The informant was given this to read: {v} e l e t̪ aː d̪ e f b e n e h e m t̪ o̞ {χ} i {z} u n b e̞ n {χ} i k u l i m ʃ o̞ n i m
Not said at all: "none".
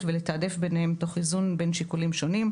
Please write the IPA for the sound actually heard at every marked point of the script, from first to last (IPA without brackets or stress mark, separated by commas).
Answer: v, χ, z, ʃ